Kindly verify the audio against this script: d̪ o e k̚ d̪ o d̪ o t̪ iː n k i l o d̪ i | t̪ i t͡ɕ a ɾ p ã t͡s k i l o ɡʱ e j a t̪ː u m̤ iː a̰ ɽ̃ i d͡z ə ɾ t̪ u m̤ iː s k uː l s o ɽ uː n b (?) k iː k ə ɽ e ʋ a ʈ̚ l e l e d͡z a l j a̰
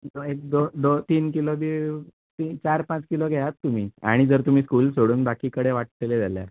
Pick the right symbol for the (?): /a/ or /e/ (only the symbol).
a